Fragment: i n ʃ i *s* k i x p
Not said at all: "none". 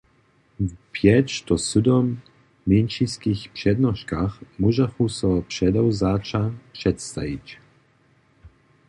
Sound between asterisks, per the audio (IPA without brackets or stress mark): s